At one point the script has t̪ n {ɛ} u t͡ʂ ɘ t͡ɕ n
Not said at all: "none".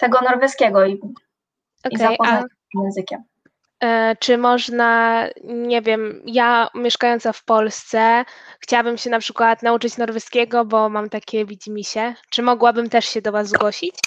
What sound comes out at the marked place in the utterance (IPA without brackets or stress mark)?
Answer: a